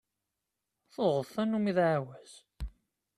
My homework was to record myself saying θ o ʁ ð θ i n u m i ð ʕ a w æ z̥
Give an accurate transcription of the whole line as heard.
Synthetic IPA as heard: θ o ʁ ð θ æ n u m i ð ʕ a w æ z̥